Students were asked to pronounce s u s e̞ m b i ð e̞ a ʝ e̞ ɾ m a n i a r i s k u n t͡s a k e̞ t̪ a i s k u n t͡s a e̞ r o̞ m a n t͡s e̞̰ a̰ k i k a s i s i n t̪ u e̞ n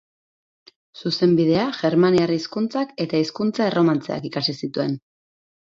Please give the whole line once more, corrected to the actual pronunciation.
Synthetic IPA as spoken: s u s e̞ m b i ð e̞ a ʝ e̞ ɾ m a n i a r i s k u n t͡s a k e̞ t̪ a i s k u n t͡s a e̞ r o̞ m a n t͡s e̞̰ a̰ k i k a s i s i t̪ u e̞ n